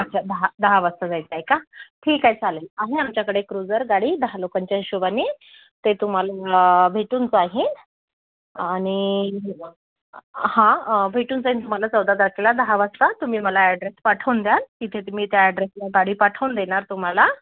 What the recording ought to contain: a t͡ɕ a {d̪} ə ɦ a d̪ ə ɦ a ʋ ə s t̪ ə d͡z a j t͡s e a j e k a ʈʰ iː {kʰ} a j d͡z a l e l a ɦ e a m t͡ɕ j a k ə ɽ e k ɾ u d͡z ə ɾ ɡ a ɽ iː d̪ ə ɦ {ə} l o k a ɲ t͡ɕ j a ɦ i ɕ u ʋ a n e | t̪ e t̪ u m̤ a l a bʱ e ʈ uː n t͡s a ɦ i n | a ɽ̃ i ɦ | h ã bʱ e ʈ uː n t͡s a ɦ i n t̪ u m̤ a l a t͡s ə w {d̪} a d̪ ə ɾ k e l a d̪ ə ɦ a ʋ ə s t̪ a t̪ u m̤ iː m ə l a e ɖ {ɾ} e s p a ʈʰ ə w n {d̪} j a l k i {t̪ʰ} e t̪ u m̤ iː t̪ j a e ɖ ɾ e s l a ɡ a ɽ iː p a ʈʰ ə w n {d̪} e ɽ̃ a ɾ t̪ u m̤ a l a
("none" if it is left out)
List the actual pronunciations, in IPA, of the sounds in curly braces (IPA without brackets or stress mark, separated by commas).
d̪, k, a, d̪, ɾ, d̪, t̪ʰ, d̪